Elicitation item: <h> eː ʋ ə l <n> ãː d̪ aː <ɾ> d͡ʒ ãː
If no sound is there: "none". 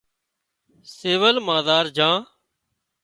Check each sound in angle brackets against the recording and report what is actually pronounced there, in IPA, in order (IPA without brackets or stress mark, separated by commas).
s, m, ɾ